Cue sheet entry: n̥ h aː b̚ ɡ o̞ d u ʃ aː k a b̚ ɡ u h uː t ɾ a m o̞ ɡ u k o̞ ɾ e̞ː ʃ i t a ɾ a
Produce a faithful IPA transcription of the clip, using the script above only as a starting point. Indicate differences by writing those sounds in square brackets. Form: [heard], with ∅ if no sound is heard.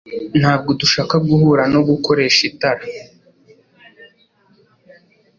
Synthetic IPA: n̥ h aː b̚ ɡ o̞ d u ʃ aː k a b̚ ɡ u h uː [∅] ɾ a [n] o̞ ɡ u k o̞ ɾ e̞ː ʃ i t a ɾ a